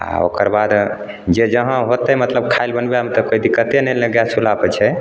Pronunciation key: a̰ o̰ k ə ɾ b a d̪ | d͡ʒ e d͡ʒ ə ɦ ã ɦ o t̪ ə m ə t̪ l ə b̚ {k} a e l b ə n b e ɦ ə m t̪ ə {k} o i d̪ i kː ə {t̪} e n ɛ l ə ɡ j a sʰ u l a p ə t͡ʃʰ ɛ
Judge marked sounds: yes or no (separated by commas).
no, yes, yes